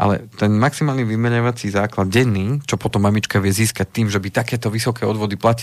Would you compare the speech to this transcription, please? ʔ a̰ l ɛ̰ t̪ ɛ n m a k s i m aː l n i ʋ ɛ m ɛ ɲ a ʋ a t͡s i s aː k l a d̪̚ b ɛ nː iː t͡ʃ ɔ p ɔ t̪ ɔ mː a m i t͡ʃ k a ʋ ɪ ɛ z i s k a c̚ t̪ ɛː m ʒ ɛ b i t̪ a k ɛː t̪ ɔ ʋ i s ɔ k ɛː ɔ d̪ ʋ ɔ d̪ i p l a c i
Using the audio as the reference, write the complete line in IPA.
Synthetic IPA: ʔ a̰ l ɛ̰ t̪ ɛ n m a k s i m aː l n i ʋ i m ɛ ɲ a ʋ a t͡s i z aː k l a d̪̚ ɟ ɛ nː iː t͡ʃ ɔ p ɔ t̪ ɔ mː a m i t͡ʃ k a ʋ ɪ ɛ z iː s k a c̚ t̪ iː m ʒ ɛ b i t̪ a k ɛː t̪ ɔ ʋ i s ɔ k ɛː ɔ d̪ ʋ ɔ d̪ i p l a c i